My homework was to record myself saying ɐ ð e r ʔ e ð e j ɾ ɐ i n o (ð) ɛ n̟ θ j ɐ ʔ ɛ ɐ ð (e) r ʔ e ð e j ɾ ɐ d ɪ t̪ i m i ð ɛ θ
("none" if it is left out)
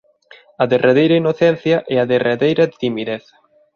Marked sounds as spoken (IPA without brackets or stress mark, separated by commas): θ, e